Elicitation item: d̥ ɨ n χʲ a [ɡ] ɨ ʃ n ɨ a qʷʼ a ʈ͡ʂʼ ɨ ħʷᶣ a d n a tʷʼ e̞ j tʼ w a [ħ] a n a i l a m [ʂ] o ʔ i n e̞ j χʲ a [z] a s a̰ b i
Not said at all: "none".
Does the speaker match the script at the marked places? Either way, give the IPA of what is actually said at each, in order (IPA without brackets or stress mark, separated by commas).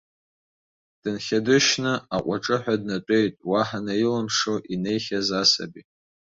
d, ħ, ʂ, z